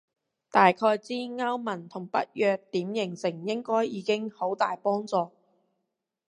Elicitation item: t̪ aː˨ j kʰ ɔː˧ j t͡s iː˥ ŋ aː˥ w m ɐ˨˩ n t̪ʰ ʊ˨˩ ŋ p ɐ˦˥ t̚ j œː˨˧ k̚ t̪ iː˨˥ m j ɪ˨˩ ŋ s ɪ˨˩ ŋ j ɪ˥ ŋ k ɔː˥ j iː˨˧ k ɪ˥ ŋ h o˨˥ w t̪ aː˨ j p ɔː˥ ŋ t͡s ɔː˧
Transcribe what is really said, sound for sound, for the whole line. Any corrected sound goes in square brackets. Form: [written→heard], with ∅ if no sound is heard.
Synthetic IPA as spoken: t̪ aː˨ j kʰ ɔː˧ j t͡s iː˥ ŋ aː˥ w m ɐ˨˩ n t̪ʰ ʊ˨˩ ŋ p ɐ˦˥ t̚ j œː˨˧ k̚ t̪ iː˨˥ m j ɪ˨˩ ŋ s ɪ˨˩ ŋ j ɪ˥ ŋ k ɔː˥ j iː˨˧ k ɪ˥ ŋ h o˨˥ w t̪ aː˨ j p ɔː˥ ŋ t͡s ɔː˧